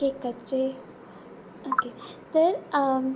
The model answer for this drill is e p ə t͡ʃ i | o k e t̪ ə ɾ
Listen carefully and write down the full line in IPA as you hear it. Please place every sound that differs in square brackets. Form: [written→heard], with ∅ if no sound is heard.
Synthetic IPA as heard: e [p→k] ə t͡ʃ [i→e] | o k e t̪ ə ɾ